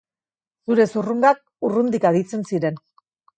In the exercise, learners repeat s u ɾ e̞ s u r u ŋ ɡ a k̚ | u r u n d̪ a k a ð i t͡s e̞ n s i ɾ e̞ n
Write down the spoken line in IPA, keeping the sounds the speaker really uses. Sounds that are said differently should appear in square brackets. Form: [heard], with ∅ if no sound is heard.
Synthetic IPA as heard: s u ɾ e̞ s u r u ŋ ɡ a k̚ | u r u n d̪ [i] k a ð i t͡s e̞ n s i ɾ e̞ n